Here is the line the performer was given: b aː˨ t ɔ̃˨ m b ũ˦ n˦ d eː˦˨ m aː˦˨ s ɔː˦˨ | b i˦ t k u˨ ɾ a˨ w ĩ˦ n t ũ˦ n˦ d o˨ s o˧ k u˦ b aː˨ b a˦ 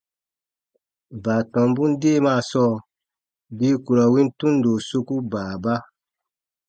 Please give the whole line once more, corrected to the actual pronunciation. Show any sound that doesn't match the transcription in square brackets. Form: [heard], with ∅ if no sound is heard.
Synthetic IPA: b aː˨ t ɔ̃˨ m b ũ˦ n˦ d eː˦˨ m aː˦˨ s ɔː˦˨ | b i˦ [∅] k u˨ ɾ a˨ w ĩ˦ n t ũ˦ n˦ d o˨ s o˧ k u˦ b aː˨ b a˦